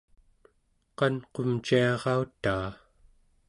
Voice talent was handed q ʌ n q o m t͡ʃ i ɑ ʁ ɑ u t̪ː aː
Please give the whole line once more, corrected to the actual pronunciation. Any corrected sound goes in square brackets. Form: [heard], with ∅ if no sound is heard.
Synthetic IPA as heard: q [ɑ] n q o m t͡ʃ i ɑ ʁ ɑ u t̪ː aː